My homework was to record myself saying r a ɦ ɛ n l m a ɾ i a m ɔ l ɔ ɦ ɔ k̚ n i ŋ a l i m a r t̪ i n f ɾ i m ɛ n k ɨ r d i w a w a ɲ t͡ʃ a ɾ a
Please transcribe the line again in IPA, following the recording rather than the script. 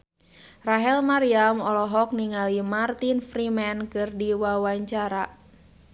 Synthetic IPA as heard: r a ɦ ɛ l m a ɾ i a m ɔ l ɔ ɦ ɔ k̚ n i ŋ a l i m a r t̪ i n f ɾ i m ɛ n k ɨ r d i w a w a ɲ t͡ʃ a ɾ a